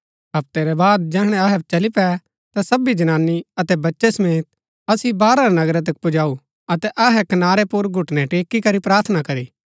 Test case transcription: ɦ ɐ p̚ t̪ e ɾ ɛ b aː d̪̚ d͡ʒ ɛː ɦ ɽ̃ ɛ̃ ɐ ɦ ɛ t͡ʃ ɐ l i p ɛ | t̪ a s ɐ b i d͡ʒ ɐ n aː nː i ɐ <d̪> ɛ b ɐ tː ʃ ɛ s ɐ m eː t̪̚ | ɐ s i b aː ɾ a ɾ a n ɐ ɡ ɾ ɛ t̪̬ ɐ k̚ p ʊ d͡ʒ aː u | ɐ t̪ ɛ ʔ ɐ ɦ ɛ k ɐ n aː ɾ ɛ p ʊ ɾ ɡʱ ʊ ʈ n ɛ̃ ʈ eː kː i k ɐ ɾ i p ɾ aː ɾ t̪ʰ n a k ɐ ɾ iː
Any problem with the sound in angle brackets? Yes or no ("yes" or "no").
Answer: yes